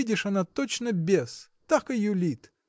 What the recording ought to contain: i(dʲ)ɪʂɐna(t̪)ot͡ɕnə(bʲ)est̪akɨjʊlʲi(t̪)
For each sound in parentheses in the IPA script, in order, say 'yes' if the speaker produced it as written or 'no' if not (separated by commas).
yes, yes, yes, yes